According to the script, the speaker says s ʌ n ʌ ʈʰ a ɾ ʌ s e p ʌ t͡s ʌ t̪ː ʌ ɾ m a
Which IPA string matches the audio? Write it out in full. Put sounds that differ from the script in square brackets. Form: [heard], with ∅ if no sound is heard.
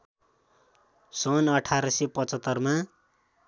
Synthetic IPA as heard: s ʌ n ʌ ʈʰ a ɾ ʌ s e p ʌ t͡s ʌ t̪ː ʌ [r] m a